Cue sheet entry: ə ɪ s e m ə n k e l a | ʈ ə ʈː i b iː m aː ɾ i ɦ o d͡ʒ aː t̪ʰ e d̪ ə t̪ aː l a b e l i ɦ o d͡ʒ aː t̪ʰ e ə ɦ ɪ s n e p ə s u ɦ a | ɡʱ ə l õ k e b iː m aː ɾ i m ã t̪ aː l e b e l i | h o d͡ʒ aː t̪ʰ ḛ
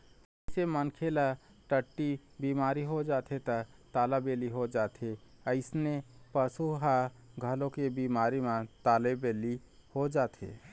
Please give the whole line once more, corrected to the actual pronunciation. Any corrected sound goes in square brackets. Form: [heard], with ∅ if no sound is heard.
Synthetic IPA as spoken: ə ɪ s e m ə n [kʰ] e l a | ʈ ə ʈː i b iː m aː ɾ i ɦ o d͡ʒ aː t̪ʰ e [t̪] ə t̪ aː l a b e l i ɦ o d͡ʒ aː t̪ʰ e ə [∅] ɪ s n e p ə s u ɦ a | ɡʱ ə l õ k e b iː m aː ɾ i m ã t̪ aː l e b e l i | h o d͡ʒ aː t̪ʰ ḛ